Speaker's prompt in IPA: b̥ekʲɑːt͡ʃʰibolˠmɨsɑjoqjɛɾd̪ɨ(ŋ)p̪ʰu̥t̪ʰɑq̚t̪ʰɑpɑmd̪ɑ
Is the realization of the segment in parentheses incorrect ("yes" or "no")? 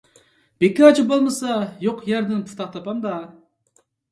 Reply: yes